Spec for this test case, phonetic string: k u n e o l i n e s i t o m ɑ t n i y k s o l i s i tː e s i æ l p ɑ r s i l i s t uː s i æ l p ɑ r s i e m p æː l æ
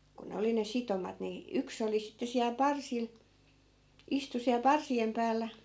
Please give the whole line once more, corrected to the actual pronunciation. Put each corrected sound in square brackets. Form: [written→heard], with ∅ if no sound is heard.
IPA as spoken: k u n e o l i n e s i t o m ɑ t n i y k s o l i s i tː e s i æ l p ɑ r s i l i s t [uː→u] s i æ l p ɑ r s i e m p æː [l→lː] æ